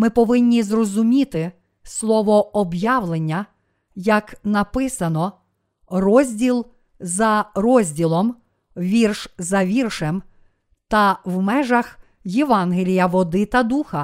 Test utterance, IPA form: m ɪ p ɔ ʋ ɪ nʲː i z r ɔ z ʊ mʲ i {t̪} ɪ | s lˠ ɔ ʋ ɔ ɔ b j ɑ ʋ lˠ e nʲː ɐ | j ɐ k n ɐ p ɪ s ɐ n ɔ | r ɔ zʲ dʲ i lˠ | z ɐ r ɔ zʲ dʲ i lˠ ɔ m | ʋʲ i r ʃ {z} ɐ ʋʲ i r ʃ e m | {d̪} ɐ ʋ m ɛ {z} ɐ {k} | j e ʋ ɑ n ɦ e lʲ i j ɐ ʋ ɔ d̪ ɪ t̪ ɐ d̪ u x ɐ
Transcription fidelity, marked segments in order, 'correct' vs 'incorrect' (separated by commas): correct, correct, incorrect, incorrect, incorrect